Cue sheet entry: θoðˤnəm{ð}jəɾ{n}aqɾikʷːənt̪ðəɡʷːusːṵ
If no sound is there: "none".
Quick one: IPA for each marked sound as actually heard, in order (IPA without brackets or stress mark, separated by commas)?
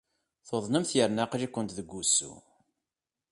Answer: θ, n